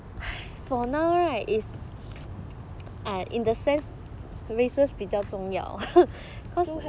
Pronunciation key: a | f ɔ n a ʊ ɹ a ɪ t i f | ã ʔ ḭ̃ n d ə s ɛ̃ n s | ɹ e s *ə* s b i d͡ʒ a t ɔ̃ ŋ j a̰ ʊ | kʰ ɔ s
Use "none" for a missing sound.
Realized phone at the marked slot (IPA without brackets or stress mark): ə